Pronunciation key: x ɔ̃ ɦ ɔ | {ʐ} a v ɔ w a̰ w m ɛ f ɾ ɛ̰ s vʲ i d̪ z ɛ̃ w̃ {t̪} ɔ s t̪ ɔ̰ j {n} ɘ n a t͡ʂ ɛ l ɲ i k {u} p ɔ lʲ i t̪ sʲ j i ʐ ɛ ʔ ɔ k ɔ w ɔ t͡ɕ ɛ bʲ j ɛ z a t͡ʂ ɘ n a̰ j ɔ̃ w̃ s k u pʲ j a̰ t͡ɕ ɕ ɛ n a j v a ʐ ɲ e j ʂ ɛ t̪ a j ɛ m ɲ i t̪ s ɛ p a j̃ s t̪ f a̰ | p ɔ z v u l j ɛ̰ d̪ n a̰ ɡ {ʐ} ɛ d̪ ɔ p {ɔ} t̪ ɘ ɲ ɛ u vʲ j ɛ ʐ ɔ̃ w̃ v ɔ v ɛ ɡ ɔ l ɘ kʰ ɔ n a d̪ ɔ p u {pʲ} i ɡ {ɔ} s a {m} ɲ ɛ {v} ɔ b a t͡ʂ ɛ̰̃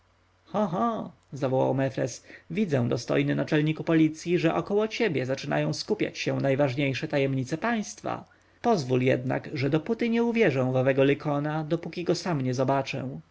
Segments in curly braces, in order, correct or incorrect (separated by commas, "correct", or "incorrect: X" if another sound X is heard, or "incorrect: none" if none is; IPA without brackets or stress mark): incorrect: z, incorrect: d̪, correct, correct, correct, incorrect: u, incorrect: kʲ, correct, correct, incorrect: z